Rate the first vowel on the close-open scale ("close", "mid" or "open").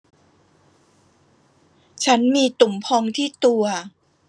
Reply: open